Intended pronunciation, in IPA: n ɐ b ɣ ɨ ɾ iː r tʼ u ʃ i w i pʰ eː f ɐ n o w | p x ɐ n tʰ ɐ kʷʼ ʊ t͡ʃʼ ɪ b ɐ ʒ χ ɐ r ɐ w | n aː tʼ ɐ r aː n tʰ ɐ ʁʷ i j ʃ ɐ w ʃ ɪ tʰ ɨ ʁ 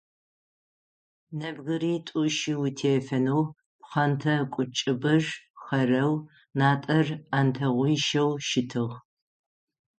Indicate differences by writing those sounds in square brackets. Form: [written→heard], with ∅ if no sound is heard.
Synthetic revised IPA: n ɐ b ɣ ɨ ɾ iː [r→∅] tʼ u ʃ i w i [pʰ→tʰ] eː f ɐ n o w | p [x→χ] ɐ n tʰ ɐ kʷʼ ʊ t͡ʃʼ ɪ b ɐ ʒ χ ɐ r ɐ w | n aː tʼ ɐ r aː n tʰ ɐ ʁʷ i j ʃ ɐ w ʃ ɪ tʰ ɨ ʁ